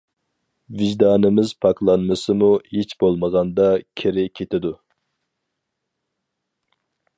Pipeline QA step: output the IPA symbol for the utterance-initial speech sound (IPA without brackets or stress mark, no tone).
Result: v